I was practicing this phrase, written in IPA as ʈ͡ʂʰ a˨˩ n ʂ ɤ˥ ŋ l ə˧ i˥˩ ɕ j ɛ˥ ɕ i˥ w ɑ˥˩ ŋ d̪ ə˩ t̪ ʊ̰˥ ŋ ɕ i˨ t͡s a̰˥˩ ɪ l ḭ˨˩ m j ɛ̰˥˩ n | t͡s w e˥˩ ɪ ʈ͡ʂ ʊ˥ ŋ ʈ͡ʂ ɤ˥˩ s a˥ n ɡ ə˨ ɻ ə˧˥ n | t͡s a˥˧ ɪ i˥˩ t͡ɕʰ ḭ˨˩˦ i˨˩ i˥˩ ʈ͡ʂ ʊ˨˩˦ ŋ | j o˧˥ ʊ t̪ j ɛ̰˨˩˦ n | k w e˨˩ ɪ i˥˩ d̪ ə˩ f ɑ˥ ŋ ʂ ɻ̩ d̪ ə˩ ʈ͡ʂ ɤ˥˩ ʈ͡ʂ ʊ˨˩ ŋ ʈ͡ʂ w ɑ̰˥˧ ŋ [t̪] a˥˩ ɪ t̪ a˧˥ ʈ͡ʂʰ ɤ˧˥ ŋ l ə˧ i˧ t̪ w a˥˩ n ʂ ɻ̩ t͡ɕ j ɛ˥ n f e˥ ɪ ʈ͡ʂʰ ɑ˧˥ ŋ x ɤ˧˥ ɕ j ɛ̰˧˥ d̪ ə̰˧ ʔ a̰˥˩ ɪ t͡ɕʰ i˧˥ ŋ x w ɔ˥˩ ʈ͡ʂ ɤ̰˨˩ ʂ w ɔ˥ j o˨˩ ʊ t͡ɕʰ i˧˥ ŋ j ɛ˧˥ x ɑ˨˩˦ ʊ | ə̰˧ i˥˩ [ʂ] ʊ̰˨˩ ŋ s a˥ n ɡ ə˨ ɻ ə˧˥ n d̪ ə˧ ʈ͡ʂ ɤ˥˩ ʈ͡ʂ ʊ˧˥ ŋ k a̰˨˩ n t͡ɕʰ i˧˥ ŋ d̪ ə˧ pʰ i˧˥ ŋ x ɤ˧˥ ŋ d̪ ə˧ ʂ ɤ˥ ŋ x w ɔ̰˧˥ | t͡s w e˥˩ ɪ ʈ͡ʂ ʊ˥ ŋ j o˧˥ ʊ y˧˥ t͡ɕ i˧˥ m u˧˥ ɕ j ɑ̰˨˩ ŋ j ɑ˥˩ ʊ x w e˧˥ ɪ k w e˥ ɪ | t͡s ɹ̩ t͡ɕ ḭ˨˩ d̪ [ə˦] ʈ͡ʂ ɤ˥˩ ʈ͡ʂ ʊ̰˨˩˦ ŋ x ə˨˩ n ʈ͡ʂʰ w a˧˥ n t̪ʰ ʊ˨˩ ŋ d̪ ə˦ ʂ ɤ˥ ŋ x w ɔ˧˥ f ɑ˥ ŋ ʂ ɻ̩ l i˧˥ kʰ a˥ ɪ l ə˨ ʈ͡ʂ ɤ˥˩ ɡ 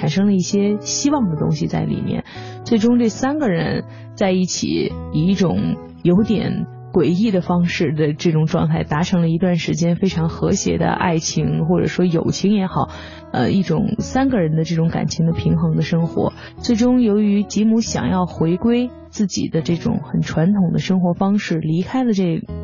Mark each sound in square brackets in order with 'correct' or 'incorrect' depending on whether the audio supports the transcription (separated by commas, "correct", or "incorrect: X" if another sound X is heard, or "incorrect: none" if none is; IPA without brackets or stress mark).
incorrect: t̪ʰ, incorrect: ʈ͡ʂ, correct